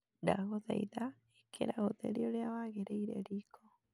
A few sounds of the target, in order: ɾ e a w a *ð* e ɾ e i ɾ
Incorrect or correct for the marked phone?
incorrect: ɣ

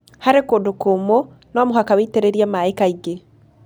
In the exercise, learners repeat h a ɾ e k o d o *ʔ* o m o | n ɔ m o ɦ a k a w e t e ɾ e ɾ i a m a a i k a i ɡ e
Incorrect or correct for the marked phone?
incorrect: k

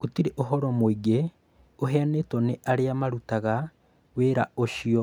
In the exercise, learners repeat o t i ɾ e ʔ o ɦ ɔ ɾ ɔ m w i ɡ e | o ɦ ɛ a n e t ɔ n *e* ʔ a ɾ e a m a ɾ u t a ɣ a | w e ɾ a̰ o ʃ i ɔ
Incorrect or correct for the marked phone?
correct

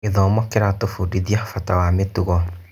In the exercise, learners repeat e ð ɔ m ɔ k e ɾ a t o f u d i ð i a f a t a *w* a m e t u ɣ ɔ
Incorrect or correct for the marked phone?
correct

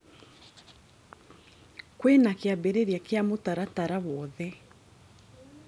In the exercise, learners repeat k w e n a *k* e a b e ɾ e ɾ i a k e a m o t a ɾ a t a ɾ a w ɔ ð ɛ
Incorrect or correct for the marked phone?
correct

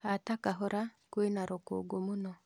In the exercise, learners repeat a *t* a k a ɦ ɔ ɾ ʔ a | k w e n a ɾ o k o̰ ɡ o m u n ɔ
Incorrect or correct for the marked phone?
correct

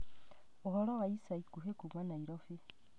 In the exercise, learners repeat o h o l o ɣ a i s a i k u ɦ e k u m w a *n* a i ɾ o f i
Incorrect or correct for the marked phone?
correct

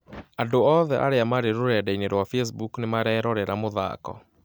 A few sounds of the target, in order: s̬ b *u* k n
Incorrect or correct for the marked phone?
correct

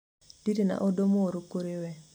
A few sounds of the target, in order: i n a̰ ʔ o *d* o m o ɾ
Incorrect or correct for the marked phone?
correct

